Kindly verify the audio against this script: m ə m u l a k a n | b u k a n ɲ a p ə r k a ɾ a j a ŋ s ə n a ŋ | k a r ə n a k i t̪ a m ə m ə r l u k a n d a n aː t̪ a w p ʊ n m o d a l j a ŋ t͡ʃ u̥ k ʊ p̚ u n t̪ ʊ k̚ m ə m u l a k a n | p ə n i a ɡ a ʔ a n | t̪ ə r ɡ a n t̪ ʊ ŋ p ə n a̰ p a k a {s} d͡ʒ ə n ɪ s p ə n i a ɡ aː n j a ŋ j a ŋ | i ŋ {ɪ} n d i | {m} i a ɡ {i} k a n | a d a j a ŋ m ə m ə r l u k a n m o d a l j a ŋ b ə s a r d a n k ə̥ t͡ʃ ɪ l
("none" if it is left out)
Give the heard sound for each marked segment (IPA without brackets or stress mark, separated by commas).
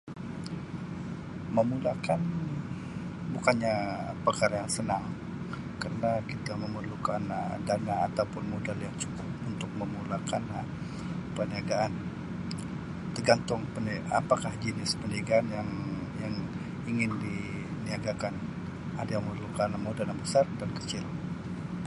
h, ɪ, n, a